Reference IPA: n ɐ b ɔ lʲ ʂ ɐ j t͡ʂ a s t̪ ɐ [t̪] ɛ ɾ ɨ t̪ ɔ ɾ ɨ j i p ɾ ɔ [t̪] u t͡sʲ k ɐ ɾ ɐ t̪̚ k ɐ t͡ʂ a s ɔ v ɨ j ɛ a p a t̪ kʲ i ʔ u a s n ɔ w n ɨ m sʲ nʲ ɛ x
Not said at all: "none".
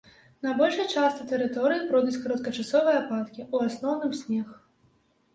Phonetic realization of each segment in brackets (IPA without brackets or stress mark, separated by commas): t̪, d̪